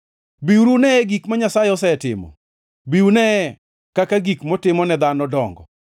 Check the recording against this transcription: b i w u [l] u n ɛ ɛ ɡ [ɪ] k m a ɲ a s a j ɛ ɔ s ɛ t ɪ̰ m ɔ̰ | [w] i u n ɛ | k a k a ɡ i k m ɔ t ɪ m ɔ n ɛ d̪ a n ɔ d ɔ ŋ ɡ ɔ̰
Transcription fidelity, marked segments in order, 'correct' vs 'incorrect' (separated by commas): incorrect, incorrect, incorrect